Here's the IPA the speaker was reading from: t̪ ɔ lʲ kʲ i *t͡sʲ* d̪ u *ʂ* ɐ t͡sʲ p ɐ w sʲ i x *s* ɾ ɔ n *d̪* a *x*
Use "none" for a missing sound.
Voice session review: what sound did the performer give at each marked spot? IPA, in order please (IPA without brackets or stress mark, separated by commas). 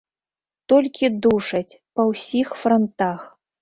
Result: none, ʂ, f, t̪, x